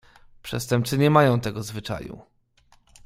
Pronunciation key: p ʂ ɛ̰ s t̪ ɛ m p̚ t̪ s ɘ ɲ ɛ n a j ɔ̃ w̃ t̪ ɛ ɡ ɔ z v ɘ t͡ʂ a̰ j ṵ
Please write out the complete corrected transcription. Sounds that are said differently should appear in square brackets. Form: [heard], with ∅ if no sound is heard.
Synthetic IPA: p ʂ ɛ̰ s t̪ ɛ m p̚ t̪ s ɘ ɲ ɛ [m] a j ɔ̃ w̃ t̪ ɛ ɡ ɔ z v ɘ t͡ʂ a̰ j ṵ